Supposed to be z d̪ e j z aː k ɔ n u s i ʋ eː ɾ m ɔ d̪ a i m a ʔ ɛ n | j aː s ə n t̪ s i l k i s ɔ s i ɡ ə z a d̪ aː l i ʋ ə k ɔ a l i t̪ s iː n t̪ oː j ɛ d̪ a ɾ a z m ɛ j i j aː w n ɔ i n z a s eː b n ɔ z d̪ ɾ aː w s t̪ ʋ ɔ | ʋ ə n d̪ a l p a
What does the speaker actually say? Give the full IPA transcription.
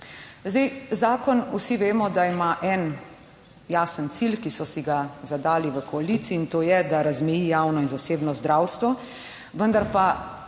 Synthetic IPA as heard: z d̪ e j z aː k ɔ n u s i ʋ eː m ɔ d̪ a i m a ʔ ɛ n | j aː s ə n t̪ s i l k i s ɔ s i ɡ a z a d̪ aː l i ʋ ə k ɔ a l i t̪ s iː n t̪ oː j ɛ d̪ a ɾ a z m ɛ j i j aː w n ɔ i n z a s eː b n ɔ z d̪ ɾ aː w s t̪ ʋ ɔ | ʋ ə n d̪ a ɾ p a